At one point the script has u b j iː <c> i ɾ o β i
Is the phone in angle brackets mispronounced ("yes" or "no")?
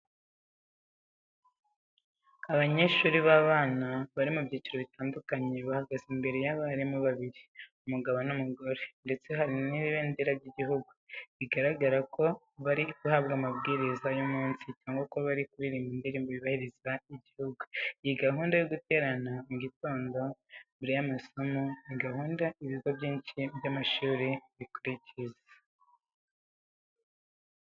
no